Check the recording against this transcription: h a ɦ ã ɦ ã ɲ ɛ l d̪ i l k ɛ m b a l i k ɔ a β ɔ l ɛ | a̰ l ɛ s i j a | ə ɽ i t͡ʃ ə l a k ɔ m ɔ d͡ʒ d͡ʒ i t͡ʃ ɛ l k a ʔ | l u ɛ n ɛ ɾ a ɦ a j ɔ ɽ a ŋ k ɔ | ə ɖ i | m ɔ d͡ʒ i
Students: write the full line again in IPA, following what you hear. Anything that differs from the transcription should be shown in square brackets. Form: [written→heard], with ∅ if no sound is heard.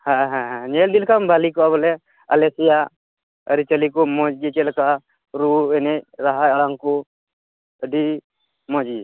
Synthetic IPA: h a ɦ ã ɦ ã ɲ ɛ l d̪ i l k [ɛ→a] m b a l i k ɔ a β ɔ l ɛ | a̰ l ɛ s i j a | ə [ɽ→ɾ] i t͡ʃ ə l [a→i] k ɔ m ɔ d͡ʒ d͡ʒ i t͡ʃ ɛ l k a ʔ | [l→ɾ] u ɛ n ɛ ɾ a ɦ a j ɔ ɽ a ŋ k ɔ | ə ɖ i | m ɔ d͡ʒ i